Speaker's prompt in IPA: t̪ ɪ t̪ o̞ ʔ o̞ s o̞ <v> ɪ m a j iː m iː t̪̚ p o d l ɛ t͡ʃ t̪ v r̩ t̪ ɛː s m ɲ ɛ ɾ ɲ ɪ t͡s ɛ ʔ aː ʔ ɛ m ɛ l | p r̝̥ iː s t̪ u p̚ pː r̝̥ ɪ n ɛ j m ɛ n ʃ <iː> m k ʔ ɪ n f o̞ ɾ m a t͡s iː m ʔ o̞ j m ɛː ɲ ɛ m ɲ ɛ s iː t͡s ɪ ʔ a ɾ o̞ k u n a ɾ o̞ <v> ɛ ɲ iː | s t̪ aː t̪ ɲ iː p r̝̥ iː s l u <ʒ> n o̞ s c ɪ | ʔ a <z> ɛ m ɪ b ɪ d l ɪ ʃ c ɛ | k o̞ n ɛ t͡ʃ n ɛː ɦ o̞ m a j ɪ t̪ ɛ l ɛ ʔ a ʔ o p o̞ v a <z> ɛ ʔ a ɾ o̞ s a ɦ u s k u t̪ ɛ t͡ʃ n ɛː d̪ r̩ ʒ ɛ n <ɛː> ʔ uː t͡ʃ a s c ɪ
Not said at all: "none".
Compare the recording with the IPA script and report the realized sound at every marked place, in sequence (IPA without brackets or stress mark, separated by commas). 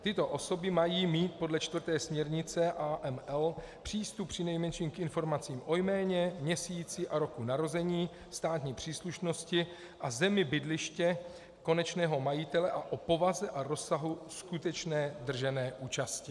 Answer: b, iː, z, ʃ, z, z, ɛː